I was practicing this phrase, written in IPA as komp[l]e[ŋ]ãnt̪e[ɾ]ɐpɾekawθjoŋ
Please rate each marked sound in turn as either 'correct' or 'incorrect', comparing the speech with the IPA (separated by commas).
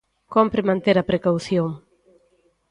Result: incorrect, incorrect, correct